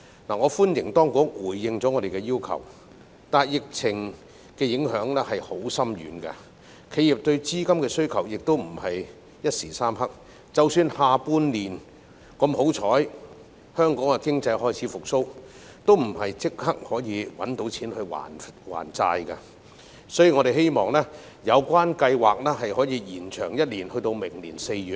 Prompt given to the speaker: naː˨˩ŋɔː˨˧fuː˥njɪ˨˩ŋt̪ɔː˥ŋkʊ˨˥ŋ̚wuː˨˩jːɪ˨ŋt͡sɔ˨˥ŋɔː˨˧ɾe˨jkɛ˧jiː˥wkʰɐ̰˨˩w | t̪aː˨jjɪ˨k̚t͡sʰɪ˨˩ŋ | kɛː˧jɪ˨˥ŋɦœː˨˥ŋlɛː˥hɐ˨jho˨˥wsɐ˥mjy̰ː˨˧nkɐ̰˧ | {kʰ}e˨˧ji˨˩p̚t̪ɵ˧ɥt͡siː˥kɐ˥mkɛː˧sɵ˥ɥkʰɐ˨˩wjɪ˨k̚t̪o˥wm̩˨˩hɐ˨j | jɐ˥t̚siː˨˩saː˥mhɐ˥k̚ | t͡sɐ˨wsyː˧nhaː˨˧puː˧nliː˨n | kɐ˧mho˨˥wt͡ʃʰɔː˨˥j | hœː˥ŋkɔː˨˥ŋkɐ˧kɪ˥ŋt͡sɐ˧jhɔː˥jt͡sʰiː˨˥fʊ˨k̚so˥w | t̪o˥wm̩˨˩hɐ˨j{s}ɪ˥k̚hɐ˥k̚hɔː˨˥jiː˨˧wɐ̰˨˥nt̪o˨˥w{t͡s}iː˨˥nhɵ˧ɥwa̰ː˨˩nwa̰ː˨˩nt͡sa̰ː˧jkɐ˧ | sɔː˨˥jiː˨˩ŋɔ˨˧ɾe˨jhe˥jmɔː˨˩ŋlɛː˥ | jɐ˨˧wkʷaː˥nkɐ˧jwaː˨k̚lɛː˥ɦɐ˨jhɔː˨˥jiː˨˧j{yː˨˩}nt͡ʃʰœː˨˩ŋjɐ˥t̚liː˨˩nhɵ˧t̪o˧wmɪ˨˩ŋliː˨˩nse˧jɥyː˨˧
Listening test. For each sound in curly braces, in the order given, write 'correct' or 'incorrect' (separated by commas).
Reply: correct, incorrect, incorrect, incorrect